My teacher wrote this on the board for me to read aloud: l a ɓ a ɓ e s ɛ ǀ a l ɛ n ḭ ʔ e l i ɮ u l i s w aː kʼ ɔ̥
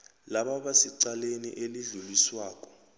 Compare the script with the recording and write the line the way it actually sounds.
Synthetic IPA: l a ɓ a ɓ a s i ǀ a l e n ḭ ʔ e l i ɮ u l i s w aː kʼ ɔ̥